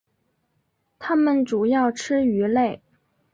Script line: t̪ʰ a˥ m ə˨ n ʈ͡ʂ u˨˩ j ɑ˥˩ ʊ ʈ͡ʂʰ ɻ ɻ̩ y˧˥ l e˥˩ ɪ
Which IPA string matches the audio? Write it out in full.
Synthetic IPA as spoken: t̪ʰ a˥ m ə˨ n ʈ͡ʂ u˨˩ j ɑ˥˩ ʊ ʈ͡ʂʰ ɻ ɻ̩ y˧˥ l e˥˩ ɪ